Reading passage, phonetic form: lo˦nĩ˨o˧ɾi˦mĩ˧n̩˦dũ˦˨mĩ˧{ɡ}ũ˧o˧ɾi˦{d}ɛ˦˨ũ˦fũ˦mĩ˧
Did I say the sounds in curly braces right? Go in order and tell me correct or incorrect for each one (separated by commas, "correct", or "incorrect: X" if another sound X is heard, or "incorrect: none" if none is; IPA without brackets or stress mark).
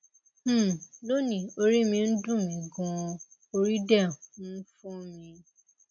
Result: correct, correct